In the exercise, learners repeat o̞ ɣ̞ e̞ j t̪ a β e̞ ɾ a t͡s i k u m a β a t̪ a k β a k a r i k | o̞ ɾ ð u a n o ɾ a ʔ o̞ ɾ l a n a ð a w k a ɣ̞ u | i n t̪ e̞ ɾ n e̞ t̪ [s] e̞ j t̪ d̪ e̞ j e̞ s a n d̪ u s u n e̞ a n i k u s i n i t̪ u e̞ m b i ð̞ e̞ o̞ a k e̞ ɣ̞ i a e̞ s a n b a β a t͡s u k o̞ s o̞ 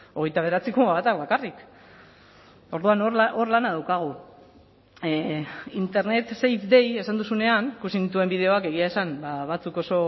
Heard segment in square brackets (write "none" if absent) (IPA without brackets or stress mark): s